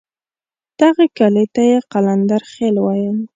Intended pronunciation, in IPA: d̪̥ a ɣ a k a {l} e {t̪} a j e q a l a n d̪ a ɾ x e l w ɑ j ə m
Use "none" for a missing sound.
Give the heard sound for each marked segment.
l, t̪

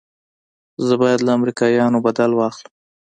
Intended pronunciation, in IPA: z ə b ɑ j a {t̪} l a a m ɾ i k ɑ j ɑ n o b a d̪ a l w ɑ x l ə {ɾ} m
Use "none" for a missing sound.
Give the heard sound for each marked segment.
d̪, none

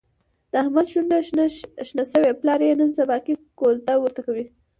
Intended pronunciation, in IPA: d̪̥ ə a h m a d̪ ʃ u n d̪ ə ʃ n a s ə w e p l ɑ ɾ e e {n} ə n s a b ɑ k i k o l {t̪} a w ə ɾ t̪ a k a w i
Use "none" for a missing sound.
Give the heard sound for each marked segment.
n, t̪

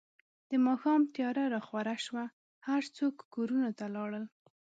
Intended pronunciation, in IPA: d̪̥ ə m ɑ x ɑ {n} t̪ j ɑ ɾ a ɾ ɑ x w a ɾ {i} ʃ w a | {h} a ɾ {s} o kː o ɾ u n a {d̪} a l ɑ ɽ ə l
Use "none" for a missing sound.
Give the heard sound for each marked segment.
m, a, h, t͡s, t̪

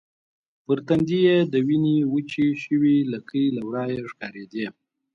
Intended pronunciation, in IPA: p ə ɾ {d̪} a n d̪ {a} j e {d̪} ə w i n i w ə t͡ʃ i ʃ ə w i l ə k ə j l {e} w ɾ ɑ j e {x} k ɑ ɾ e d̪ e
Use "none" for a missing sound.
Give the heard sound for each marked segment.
t̪, i, d̪, a, ʂ

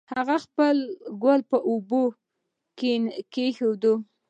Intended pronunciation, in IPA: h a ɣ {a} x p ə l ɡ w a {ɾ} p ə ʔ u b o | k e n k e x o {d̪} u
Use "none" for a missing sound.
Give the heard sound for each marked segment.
a, l, d̪

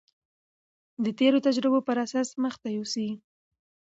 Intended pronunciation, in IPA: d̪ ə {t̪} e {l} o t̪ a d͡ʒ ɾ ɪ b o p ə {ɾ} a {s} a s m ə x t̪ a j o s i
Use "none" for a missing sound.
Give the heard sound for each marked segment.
t̪, ɾ, ɾ, s

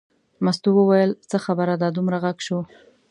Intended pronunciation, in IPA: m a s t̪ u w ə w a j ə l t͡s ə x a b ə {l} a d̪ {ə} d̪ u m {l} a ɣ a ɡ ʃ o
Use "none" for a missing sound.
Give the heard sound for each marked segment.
ɾ, ɑ, ɾ

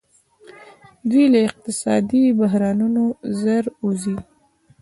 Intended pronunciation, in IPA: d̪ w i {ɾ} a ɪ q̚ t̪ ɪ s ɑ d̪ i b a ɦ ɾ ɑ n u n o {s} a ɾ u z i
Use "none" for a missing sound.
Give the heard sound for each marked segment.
l, z

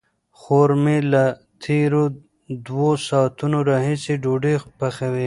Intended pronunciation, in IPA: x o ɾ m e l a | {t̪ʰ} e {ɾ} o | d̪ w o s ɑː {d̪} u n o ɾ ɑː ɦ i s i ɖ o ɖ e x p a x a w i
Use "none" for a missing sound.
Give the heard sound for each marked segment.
t̪ʰ, ɾ, t̪

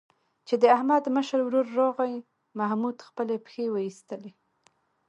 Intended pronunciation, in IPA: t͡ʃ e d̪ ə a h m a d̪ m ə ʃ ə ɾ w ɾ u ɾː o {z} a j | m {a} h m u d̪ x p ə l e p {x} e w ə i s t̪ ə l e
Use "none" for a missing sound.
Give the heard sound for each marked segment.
ɣ, a, x

